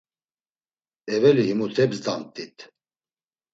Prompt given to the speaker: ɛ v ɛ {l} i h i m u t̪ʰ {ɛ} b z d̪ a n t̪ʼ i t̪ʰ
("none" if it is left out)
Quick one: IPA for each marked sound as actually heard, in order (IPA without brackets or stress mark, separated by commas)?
l, ɛ